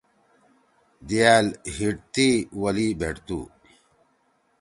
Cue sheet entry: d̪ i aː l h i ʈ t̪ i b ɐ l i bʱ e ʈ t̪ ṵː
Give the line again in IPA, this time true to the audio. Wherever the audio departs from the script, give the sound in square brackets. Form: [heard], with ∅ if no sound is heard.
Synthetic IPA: d̪ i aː l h i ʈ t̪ i [w] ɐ l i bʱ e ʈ t̪ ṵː